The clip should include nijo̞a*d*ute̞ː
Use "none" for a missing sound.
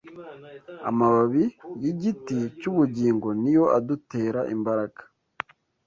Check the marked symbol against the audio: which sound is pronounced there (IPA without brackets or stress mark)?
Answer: d